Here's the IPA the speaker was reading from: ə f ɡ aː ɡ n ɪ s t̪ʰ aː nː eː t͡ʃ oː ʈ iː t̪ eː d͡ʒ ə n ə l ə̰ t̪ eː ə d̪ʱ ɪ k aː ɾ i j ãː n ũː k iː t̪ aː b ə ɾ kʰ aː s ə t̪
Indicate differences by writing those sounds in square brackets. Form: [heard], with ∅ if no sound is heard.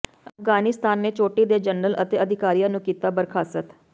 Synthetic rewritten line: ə f ɡ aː [∅] n ɪ s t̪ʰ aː nː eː t͡ʃ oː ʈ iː [d̪] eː d͡ʒ ə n ə l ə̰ t̪ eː ə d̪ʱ ɪ k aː ɾ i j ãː n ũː k iː t̪ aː b ə ɾ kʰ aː s ə t̪